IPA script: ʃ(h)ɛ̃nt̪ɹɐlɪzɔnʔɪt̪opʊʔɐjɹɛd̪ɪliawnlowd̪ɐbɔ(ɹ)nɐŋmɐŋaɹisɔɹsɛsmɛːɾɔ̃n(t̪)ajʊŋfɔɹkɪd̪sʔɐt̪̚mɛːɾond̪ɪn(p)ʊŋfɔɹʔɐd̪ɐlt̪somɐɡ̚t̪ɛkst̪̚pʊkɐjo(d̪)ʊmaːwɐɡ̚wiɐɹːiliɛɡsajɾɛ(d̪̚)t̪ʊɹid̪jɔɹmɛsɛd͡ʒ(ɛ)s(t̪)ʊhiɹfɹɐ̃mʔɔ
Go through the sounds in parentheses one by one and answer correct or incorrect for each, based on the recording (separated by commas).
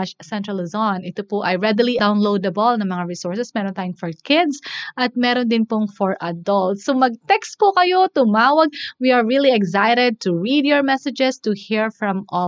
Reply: incorrect, incorrect, correct, correct, incorrect, correct, correct, correct